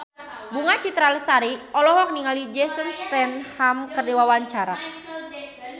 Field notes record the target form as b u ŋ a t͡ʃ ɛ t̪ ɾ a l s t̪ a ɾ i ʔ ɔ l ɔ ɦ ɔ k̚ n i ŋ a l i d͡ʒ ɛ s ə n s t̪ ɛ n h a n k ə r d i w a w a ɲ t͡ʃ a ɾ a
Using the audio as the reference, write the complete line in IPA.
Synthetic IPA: b u ŋ a t͡ʃ i t̪ ɾ a l s t̪ a ɾ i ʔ ɔ l ɔ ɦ ɔ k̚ n i ŋ a l i d͡ʒ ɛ s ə n s t̪ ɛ n h a m k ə r d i w a w a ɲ t͡ʃ a ɾ a